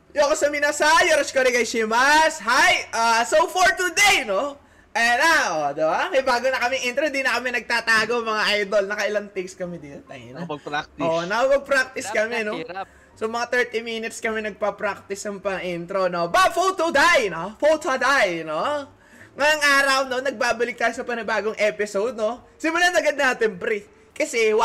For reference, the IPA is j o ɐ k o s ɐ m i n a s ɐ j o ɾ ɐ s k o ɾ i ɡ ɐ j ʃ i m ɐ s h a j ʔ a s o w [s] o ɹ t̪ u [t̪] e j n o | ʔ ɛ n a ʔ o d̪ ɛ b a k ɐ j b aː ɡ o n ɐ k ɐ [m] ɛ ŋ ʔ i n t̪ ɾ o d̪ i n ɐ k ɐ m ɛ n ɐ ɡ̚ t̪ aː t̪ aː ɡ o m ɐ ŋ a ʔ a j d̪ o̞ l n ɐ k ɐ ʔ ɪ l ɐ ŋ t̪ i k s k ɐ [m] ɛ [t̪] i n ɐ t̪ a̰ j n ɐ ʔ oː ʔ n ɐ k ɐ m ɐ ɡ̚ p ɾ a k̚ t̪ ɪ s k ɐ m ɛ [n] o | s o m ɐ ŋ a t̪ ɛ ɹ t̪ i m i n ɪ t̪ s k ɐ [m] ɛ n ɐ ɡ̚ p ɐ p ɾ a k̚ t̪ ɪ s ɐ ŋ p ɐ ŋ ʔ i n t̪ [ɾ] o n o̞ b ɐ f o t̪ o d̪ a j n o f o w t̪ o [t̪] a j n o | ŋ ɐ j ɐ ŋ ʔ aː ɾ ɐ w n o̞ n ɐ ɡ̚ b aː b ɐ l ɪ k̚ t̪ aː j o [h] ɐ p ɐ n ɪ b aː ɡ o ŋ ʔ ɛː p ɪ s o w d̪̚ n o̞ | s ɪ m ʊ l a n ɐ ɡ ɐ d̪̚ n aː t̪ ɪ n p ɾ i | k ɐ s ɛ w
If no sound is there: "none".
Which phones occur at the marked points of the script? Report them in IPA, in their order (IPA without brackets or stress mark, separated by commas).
f, d̪, m, m, d̪, n, m, ɾ, d̪, s